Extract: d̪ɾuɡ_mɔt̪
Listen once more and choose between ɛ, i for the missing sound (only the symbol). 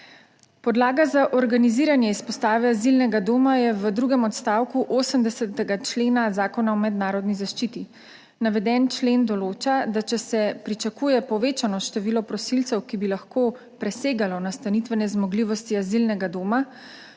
ɛ